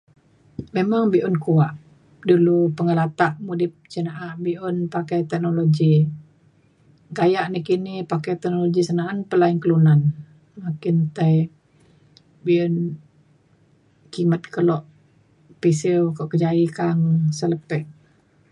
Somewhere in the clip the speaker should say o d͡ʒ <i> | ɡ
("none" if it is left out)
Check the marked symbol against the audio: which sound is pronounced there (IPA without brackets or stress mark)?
i